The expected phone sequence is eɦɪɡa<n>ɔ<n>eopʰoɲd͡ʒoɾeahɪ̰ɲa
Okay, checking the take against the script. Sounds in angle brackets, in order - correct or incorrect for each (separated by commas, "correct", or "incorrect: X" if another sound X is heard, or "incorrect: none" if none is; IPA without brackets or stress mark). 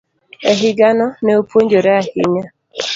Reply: correct, correct